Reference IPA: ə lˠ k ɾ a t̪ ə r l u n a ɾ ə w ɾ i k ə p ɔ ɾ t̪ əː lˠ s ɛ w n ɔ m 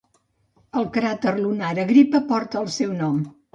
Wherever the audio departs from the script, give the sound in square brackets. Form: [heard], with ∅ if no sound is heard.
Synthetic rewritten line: ə lˠ k ɾ a t̪ ə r l u n a ɾ ə [ɣ] ɾ i [p] ə p ɔ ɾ t̪ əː lˠ s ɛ w n ɔ m